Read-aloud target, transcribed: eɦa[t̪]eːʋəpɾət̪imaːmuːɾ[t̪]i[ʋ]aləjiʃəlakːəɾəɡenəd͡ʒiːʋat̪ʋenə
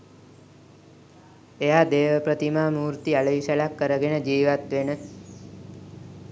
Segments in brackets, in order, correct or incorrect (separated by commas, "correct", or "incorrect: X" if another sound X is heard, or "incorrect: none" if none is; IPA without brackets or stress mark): incorrect: d̪, correct, incorrect: none